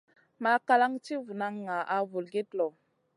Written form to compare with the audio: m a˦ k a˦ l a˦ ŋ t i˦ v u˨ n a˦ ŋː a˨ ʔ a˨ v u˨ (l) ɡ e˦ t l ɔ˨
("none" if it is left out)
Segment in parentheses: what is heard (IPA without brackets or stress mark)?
l